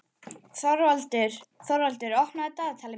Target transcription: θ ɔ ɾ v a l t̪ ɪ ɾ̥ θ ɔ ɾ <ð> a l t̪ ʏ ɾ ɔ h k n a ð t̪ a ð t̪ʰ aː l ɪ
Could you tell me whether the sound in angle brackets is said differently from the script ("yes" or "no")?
yes